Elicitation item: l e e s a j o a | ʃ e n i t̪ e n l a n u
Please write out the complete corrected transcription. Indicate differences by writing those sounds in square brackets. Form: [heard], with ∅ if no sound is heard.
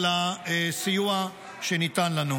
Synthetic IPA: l [a] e s [i] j [u] a | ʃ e n i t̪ [a] n l a n u